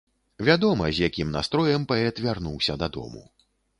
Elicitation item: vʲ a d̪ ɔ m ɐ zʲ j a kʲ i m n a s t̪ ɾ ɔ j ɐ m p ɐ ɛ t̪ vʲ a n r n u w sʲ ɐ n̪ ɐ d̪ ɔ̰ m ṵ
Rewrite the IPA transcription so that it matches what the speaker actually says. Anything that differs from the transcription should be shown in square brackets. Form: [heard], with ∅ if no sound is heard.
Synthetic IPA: vʲ a d̪ ɔ m ɐ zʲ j a kʲ i m n a s t̪ ɾ ɔ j ɐ m p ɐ ɛ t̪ vʲ a [∅] r n u w sʲ ɐ [d̪] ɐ d̪ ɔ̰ m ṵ